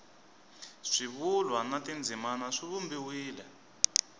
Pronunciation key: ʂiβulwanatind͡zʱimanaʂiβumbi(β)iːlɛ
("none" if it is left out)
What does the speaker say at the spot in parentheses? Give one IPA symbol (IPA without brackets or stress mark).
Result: w